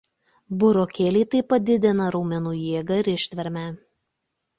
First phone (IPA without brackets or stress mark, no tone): b